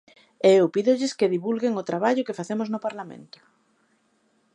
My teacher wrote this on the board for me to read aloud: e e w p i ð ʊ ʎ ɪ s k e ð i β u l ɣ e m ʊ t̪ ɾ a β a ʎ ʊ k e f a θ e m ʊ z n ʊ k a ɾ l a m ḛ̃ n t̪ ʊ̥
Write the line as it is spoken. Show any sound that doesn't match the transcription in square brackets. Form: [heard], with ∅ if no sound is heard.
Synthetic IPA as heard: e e w p i ð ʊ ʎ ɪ s k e ð i β u l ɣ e [ŋ] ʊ t̪ ɾ a β a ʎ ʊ k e f a θ e m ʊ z n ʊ [p] a ɾ l a m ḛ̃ n t̪ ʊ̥